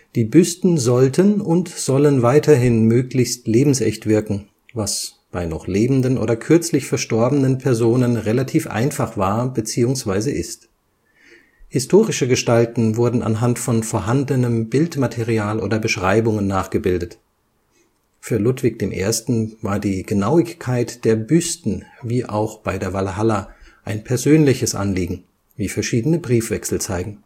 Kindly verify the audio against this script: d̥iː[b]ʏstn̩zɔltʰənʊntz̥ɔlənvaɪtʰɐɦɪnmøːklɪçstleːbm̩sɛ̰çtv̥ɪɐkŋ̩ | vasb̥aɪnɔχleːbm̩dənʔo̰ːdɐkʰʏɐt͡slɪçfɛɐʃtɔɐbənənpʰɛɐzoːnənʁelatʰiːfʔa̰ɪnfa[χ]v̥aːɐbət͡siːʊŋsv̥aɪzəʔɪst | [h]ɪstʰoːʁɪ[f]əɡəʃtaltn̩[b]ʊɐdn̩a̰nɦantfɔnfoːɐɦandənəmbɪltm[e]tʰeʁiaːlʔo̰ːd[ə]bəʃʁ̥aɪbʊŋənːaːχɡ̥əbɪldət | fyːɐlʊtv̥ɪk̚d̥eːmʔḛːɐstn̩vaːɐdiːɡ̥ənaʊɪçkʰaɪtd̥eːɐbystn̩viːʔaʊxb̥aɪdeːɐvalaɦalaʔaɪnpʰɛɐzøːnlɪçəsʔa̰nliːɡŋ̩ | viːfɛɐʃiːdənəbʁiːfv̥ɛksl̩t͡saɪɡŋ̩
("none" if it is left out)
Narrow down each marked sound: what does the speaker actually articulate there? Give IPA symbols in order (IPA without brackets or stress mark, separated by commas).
b, χ, h, ʃ, v, a, ɐ